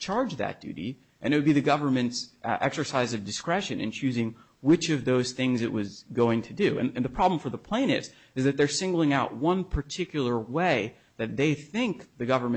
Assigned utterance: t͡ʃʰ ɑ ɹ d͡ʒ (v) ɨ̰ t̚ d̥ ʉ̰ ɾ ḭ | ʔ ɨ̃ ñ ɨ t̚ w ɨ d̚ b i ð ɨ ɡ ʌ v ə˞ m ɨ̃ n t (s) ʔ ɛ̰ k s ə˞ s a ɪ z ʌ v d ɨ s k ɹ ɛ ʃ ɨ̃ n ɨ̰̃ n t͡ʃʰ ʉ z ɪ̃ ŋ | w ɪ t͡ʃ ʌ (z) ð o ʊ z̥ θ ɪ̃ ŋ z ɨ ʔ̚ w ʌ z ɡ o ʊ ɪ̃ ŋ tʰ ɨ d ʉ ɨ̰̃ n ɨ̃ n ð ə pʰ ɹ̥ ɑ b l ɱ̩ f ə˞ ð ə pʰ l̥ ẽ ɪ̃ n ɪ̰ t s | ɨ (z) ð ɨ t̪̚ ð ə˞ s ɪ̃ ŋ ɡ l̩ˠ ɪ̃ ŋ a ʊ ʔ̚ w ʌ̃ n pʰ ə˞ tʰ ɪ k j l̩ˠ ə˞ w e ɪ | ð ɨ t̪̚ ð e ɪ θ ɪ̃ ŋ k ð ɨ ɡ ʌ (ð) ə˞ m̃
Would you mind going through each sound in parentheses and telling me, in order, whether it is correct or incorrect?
incorrect: ð, correct, incorrect: v, correct, incorrect: v

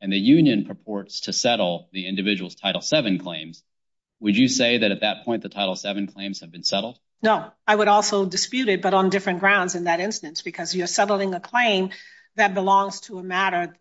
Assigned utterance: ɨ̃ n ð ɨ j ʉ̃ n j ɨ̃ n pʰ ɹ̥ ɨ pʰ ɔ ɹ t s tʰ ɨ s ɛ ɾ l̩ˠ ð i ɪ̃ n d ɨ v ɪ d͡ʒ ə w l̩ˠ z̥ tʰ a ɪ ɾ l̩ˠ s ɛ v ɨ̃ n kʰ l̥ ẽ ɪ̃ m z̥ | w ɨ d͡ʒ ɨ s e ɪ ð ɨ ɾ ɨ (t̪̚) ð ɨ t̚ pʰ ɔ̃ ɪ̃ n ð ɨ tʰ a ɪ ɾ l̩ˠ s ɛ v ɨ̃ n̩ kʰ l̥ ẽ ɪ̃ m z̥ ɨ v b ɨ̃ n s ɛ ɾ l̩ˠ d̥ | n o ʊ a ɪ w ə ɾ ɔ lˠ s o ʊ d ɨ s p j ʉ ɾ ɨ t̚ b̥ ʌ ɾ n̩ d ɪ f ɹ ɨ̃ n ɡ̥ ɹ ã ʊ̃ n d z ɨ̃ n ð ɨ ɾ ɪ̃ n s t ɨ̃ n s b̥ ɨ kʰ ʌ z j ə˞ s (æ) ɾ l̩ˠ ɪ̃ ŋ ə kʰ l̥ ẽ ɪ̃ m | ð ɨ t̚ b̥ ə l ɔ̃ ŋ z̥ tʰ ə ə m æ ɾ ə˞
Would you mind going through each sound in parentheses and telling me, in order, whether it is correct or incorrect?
correct, incorrect: ɛ

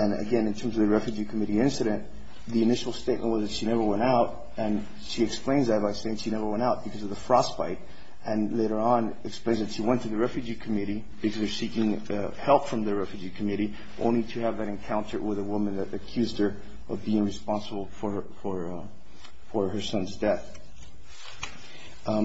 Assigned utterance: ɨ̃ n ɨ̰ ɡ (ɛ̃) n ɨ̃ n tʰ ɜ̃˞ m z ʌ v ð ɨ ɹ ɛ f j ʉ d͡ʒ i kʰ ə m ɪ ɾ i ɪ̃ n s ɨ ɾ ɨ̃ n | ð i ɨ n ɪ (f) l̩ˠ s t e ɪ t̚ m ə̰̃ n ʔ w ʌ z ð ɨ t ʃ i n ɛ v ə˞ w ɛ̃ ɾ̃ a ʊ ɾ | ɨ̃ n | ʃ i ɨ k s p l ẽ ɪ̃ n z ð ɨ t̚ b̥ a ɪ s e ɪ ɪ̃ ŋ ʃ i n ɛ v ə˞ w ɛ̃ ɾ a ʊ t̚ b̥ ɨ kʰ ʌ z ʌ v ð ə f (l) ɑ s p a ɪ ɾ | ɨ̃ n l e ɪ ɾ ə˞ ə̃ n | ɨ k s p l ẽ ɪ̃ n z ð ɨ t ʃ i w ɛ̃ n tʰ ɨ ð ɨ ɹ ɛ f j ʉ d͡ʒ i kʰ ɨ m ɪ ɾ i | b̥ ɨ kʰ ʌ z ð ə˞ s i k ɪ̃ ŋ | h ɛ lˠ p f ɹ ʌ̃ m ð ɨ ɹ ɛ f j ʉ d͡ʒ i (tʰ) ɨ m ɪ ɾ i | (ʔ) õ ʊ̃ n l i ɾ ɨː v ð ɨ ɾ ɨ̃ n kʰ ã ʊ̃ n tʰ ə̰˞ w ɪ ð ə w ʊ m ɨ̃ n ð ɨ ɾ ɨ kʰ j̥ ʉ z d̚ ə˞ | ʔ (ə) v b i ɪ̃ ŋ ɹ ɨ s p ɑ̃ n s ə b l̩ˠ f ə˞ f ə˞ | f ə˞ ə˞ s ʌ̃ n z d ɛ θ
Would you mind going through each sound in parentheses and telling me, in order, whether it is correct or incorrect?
correct, incorrect: ʃ, incorrect: ɹ, incorrect: kʰ, correct, incorrect: ʌ

